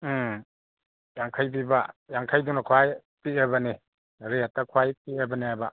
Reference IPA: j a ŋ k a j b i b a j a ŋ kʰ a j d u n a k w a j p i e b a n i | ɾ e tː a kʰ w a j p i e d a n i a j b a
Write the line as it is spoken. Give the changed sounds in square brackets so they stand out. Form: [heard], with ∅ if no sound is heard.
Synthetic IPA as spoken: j a ŋ [kʰ] a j b i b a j a ŋ kʰ a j d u n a [kʰ] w a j p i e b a n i | ɾ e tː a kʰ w a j p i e [b] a n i a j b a